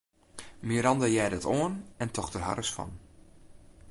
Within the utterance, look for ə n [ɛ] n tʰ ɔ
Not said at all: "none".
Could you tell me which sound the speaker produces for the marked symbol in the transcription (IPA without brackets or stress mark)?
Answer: ɛ